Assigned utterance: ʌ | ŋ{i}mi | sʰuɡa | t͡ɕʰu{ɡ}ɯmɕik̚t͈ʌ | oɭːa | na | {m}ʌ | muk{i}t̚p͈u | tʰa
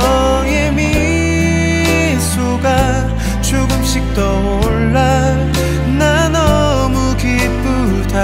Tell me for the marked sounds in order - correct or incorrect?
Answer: incorrect: e, correct, incorrect: n, correct

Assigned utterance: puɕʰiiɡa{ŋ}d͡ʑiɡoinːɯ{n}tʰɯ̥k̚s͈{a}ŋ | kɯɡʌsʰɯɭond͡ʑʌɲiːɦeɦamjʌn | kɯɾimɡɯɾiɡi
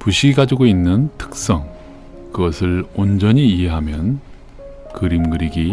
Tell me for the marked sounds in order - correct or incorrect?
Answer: incorrect: none, correct, incorrect: ʌ

